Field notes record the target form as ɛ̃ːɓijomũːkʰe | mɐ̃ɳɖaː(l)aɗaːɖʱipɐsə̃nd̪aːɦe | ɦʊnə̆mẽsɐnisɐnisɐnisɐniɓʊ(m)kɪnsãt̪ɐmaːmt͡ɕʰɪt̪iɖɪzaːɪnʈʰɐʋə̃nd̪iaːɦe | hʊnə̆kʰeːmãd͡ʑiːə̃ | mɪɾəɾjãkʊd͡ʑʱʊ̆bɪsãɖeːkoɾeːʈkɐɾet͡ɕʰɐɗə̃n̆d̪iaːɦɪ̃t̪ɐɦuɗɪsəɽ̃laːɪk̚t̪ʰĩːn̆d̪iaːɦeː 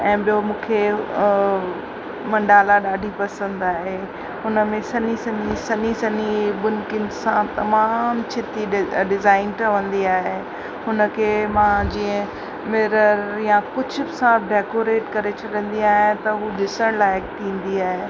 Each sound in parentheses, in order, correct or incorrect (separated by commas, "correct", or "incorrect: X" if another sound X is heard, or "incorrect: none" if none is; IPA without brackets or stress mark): correct, incorrect: n